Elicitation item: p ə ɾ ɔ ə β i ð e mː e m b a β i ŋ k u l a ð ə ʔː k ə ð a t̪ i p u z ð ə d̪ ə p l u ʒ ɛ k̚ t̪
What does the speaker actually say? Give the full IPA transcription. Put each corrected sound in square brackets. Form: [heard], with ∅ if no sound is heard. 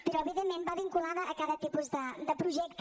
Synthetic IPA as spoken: p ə ɾ ɔ ə β i ð e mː e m b a β i ŋ k u l a ð ə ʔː k [a] ð [ə] t̪ i p u z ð ə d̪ ə p [ɾ] u ʒ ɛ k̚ t̪